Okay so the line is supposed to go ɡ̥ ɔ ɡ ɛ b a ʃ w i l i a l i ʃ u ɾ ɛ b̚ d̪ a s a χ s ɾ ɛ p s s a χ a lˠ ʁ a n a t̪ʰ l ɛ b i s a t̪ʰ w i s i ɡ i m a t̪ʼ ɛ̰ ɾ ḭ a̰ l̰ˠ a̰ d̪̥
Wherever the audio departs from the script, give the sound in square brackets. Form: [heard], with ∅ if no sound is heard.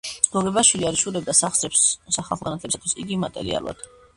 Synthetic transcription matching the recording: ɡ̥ ɔ ɡ ɛ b a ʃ w i l i a [ɾ] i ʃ u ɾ ɛ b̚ d̪ a s a χ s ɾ ɛ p s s a χ a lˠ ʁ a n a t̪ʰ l ɛ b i s a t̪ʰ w i s i ɡ i m a t̪ʼ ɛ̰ ɾ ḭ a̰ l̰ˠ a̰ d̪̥